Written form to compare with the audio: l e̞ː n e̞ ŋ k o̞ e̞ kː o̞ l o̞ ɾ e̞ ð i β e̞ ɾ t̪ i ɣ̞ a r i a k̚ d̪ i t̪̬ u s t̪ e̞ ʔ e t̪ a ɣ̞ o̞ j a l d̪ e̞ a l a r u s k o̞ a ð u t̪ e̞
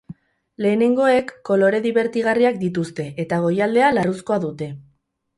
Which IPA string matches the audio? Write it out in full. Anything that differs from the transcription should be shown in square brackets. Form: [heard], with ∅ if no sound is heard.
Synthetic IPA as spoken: l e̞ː n e̞ ŋ [ɡ] o̞ e̞ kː o̞ l o̞ ɾ e̞ ð i β e̞ ɾ t̪ i ɣ̞ a r i a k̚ d̪ i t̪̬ u s t̪ e̞ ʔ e t̪ a ɣ̞ o̞ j a l d̪ e̞ a l a r u s k o̞ a ð u t̪ e̞